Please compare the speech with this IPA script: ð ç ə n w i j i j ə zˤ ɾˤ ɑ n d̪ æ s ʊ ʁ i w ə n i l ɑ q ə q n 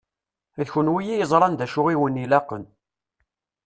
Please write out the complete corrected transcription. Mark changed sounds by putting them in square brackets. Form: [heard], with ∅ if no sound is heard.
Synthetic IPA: ð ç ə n w i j i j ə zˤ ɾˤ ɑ n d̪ æ [ʃ] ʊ ʁ i w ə n i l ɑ q ə [∅] n